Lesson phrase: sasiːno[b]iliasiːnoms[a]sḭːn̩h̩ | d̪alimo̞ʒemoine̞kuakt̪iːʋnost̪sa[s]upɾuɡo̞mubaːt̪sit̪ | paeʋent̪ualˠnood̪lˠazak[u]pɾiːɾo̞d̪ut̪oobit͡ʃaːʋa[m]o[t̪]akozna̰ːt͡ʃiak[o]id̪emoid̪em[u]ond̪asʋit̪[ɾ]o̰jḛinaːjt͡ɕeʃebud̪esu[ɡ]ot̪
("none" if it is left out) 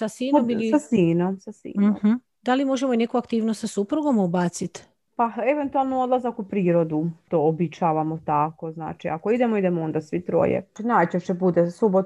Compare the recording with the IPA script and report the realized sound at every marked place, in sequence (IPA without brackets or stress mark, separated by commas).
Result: m, a, s, u, m, t̪, o, o, ɾ, b